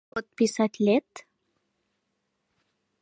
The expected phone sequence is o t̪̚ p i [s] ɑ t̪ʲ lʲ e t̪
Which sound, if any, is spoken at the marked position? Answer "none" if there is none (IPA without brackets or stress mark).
s